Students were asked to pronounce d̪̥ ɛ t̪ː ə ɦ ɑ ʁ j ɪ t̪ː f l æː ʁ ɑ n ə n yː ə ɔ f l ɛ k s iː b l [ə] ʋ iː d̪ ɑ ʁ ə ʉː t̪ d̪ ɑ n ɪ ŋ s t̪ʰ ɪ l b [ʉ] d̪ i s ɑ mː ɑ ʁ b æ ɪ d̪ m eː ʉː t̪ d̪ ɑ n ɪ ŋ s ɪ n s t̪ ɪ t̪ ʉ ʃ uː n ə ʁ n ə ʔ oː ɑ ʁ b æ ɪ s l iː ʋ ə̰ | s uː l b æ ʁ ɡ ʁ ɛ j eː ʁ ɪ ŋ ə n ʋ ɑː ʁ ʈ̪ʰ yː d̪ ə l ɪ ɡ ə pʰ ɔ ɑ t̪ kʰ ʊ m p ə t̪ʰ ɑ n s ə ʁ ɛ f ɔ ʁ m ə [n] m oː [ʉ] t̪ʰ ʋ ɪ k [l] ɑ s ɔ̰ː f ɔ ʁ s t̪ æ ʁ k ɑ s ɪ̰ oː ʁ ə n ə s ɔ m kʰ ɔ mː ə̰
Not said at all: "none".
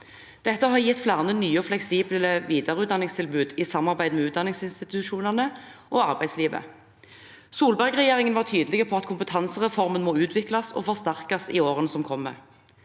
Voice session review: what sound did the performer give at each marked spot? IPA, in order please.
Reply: ə, ʉː, n, ʉː, l

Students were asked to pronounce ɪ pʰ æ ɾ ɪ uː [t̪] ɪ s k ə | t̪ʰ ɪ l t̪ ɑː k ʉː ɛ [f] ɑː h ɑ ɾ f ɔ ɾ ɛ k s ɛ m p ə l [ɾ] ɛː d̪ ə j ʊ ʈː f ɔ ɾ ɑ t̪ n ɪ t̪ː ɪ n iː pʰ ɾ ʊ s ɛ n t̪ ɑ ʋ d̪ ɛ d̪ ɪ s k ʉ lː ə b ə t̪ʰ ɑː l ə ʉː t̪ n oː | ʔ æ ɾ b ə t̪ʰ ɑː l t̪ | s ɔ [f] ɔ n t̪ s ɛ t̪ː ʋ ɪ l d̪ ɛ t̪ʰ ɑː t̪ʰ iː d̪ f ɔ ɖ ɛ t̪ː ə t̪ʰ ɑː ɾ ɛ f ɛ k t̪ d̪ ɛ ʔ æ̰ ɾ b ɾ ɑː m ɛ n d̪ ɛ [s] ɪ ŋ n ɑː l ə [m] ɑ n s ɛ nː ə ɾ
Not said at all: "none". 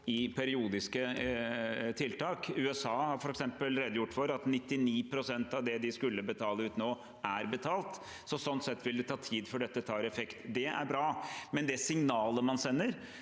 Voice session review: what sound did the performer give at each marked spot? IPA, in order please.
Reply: d̪, s, ɾ, s, s, m

